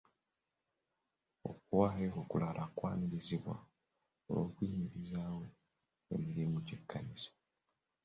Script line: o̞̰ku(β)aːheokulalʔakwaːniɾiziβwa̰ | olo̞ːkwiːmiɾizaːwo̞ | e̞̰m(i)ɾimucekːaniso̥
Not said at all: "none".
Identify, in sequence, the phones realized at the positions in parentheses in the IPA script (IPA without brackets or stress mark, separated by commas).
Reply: w, i